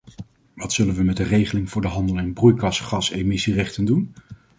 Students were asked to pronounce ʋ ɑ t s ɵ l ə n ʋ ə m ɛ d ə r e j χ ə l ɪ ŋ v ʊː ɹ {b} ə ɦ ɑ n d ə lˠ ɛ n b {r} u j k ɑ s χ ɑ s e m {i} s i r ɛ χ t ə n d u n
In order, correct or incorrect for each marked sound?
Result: incorrect: d, correct, incorrect: ɪ

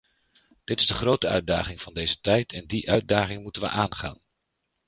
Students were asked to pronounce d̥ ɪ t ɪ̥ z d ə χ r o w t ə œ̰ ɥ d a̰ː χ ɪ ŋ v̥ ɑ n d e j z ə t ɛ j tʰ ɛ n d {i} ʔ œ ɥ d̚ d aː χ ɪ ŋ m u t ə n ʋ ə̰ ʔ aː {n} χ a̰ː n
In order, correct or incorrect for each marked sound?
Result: correct, correct

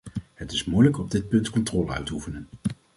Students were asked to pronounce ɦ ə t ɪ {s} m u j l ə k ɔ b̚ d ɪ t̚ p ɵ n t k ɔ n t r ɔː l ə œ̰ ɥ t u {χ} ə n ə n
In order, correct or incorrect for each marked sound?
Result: correct, incorrect: f

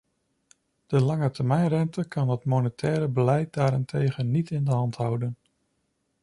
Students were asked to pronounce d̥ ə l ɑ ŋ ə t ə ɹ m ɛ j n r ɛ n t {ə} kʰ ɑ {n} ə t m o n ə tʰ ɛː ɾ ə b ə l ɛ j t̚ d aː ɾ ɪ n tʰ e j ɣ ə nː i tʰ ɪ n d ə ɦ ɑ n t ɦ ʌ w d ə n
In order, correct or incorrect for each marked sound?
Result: correct, correct

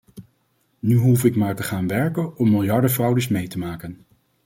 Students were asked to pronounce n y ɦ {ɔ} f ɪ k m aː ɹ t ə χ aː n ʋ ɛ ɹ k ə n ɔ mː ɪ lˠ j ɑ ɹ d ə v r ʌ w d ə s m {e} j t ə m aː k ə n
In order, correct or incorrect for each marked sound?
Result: incorrect: u, correct

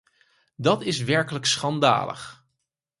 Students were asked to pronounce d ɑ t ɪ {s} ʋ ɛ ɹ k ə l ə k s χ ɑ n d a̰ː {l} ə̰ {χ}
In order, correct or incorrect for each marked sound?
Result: correct, correct, correct

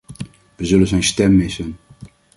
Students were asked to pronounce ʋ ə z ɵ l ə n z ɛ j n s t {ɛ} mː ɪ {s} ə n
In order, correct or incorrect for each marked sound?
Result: correct, correct

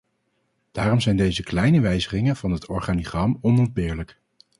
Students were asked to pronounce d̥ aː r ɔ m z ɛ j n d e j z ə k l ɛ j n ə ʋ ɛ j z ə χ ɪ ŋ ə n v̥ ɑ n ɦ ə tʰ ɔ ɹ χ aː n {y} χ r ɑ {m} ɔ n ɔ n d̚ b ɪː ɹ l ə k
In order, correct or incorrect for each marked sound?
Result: incorrect: i, correct

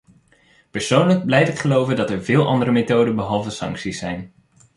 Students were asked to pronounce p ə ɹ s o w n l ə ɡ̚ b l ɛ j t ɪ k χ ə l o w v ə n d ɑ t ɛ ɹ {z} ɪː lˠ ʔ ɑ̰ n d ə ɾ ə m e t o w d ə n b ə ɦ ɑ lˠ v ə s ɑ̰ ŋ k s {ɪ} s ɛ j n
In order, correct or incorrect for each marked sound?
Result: incorrect: v, incorrect: i

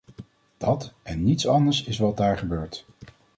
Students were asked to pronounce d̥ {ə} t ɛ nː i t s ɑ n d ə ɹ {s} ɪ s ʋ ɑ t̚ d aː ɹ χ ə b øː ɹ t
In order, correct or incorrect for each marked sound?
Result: incorrect: ɑ, correct

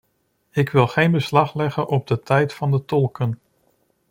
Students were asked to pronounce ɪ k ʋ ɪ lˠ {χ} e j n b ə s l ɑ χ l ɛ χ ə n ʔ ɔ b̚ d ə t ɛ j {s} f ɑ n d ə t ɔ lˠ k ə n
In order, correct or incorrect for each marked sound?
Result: correct, incorrect: t

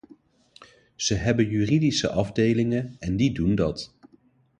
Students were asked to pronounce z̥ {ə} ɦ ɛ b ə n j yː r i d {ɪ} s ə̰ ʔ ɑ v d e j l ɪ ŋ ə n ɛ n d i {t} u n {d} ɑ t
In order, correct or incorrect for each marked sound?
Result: correct, incorrect: i, incorrect: d, correct

